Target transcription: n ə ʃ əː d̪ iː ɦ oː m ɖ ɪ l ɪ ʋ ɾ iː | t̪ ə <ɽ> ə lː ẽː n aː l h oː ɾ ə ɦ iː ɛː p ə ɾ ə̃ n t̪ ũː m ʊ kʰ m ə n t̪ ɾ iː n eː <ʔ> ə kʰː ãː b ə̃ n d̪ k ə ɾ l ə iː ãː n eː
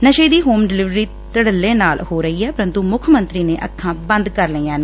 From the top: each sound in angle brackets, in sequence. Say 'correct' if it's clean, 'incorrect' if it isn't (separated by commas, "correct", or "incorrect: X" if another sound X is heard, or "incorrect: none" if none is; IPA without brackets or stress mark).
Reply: correct, correct